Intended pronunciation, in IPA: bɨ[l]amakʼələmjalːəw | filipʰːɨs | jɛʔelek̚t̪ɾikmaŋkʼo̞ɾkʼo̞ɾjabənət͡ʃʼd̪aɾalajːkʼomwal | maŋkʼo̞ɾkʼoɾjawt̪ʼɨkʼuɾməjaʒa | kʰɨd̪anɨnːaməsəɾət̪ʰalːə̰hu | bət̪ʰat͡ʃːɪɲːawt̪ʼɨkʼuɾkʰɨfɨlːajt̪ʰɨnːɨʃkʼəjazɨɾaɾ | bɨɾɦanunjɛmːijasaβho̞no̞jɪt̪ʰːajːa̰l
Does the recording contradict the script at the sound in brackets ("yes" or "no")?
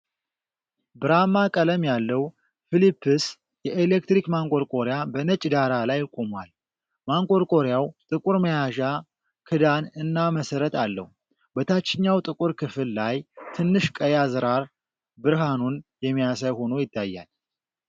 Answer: yes